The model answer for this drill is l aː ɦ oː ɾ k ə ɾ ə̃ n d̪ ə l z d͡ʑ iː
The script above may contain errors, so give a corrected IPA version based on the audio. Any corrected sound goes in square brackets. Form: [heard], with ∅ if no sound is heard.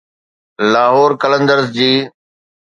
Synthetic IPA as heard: l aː ɦ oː ɾ k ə [l] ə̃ n d̪ ə [ɾ] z d͡ʑ iː